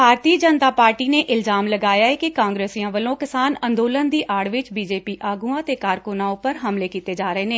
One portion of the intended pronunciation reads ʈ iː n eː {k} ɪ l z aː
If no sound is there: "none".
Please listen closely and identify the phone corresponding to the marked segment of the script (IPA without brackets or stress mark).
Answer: ʔ